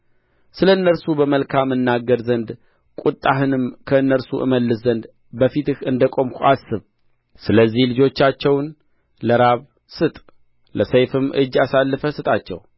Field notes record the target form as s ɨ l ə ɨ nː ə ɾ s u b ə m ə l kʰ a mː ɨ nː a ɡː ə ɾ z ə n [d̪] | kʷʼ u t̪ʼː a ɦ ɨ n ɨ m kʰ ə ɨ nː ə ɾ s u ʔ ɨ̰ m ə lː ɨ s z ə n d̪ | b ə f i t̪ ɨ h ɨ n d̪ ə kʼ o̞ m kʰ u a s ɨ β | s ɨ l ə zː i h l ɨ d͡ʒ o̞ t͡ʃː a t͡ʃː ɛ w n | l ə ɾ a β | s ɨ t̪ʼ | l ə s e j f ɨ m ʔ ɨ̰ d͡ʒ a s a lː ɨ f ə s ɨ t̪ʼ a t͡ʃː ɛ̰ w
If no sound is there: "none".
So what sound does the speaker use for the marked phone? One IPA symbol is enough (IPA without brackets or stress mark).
d̪